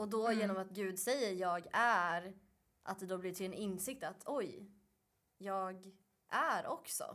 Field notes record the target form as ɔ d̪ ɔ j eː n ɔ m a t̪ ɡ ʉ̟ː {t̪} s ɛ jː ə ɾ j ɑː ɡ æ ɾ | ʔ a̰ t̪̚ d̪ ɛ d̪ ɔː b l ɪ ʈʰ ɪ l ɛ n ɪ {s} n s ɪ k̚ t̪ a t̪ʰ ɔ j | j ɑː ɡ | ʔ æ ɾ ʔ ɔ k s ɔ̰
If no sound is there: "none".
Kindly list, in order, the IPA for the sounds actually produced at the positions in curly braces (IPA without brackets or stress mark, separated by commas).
d̪, none